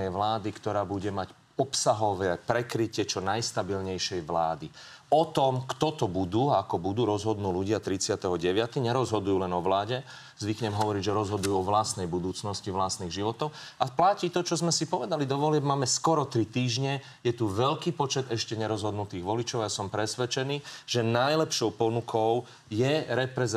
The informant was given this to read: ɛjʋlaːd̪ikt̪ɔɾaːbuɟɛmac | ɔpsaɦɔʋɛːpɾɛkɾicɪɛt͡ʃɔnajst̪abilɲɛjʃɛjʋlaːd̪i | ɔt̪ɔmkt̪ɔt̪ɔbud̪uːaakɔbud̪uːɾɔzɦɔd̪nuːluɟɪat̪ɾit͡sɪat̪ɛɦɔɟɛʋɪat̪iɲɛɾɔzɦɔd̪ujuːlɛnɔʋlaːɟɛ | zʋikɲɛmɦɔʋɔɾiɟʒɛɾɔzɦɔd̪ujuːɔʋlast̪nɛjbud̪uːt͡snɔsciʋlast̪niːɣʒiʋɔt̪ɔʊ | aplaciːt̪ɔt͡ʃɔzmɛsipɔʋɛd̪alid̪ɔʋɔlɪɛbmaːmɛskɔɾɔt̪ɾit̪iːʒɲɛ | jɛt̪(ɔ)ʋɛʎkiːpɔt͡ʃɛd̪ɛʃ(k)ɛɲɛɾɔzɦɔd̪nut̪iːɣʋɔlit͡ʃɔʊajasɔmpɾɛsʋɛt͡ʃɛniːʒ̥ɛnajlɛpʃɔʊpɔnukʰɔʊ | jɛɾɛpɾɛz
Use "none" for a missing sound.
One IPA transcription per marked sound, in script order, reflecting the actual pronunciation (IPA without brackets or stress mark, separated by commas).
u, c